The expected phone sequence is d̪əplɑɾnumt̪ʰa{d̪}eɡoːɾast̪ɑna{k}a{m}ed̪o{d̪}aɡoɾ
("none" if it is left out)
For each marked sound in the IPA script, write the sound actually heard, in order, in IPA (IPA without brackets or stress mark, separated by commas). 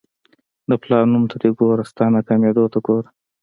d̪, k, m, t̪